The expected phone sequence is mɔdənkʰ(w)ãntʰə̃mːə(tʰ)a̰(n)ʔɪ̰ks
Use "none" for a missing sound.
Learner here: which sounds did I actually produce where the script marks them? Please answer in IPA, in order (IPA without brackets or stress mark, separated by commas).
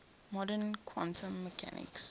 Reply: w, kʰ, n